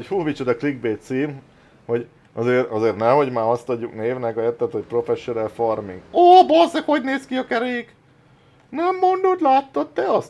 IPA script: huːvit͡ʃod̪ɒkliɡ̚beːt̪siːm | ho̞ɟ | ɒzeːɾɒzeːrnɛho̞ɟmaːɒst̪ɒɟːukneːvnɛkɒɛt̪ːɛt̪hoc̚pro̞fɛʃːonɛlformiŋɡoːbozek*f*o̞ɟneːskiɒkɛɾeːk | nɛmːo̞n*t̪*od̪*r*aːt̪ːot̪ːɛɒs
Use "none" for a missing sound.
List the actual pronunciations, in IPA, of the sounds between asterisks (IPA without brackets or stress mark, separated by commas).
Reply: h, d̪, l